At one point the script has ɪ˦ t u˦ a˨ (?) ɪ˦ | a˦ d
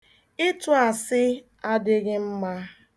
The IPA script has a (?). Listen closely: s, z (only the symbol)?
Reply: s